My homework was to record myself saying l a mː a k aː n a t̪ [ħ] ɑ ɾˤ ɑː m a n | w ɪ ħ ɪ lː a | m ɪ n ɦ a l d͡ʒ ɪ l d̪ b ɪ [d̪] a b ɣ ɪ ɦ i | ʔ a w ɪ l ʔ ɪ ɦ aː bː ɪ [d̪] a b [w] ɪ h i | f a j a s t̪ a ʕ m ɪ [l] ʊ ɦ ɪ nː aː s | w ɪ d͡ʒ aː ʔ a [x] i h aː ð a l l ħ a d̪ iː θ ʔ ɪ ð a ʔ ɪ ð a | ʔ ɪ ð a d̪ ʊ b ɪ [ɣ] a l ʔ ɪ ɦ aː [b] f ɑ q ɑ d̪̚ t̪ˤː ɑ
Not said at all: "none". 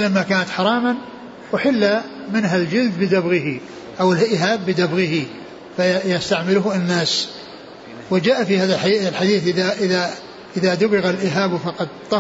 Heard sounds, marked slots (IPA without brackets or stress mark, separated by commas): ħ, d̪, d̪, ɣ, l, f, ɣ, b